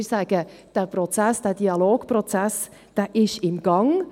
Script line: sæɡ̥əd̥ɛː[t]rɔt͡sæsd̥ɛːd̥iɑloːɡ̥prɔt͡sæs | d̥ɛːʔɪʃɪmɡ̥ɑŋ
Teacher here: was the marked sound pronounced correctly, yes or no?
no